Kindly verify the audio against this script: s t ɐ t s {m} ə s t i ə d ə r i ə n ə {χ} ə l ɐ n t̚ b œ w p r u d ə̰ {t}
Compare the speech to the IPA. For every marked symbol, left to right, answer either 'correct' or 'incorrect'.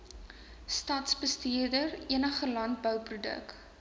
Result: incorrect: b, correct, incorrect: k

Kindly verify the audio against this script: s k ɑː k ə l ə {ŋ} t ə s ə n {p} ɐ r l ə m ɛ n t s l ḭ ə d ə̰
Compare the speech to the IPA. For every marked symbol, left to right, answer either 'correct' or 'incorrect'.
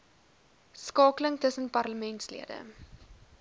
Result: correct, correct

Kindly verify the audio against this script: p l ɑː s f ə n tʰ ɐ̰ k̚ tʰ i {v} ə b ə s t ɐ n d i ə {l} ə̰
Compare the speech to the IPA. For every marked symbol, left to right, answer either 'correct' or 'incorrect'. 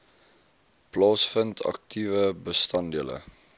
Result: correct, correct

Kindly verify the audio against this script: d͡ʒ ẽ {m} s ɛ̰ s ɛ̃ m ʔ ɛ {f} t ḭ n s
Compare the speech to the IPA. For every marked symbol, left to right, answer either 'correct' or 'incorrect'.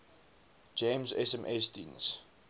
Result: correct, incorrect: s

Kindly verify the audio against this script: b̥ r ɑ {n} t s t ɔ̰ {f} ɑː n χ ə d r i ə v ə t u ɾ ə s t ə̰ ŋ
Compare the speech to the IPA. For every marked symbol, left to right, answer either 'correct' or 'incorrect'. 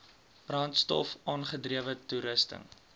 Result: correct, correct

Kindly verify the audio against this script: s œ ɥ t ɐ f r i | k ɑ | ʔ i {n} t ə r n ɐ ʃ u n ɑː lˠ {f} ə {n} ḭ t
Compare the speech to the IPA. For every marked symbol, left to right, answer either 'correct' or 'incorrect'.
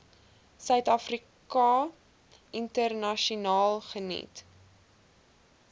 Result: correct, incorrect: χ, correct

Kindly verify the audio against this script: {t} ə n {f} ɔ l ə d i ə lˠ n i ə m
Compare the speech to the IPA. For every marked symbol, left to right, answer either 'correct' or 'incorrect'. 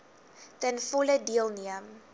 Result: correct, correct

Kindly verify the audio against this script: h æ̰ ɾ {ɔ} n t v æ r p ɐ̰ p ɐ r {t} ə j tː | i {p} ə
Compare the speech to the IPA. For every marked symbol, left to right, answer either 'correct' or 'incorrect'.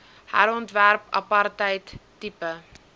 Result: correct, correct, correct

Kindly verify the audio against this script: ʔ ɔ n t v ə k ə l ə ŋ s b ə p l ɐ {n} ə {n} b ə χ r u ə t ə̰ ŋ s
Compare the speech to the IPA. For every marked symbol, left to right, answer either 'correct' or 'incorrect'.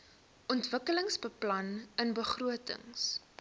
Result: correct, correct

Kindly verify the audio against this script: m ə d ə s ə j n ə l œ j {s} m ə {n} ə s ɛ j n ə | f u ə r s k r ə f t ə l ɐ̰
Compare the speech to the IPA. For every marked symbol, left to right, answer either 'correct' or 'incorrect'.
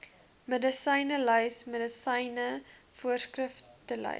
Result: correct, incorrect: d

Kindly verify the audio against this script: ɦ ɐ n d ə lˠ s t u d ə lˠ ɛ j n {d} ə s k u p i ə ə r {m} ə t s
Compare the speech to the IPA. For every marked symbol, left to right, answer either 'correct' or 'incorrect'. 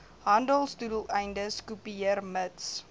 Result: correct, correct

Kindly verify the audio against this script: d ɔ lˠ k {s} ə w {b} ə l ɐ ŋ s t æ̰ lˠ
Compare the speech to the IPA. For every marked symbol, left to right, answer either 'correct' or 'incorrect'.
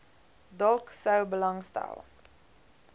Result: correct, correct

